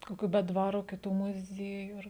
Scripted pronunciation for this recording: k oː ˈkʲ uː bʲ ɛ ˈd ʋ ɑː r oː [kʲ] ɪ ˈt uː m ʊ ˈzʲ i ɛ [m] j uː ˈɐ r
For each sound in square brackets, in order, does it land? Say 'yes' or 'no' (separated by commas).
yes, no